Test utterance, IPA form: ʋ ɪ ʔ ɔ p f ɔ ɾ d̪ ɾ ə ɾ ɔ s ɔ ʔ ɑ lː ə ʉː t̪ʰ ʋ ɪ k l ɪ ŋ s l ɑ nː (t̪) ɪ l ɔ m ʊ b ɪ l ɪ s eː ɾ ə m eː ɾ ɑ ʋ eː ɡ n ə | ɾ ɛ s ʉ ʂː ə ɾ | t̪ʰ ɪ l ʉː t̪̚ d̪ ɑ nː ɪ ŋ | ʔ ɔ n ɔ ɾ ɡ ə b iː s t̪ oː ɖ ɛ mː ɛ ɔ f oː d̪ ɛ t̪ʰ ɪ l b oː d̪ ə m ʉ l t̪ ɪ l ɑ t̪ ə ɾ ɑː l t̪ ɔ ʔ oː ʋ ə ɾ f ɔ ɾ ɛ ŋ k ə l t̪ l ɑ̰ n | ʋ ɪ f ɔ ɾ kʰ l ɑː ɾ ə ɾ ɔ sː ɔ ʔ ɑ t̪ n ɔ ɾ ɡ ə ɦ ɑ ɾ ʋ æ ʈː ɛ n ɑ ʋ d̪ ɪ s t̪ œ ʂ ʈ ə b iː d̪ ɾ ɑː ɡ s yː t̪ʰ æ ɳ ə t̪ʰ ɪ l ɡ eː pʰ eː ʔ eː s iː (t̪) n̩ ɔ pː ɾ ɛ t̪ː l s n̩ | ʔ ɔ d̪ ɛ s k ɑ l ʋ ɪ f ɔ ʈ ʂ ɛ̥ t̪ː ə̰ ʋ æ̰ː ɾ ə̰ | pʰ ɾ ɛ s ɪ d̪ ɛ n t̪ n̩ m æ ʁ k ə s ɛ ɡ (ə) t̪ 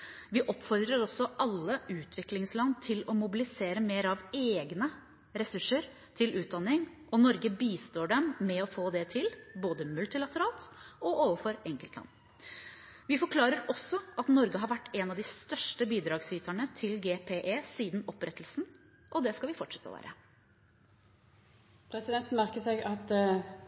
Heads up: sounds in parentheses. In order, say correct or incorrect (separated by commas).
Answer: incorrect, incorrect, incorrect